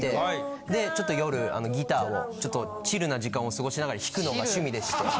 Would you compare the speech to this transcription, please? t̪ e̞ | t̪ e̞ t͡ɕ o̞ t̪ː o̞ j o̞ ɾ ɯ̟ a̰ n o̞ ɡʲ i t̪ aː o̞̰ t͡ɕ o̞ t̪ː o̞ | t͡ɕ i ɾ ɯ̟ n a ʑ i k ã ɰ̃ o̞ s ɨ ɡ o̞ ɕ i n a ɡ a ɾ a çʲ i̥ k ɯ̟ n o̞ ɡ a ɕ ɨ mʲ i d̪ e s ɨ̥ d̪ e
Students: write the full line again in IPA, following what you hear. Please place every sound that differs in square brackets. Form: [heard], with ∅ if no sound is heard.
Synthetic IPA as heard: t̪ e̞ | [d̪] e̞ t͡ɕ o̞ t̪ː o̞ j o̞ ɾ ɯ̟ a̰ n o̞ ɡʲ i t̪ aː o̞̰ t͡ɕ o̞ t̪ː o̞ | t͡ɕ i ɾ ɯ̟ n a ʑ i k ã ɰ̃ o̞ s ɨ ɡ o̞ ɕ i n a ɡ a ɾ a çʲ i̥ k ɯ̟ n o̞ ɡ a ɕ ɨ mʲ i d̪ e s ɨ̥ [t̪] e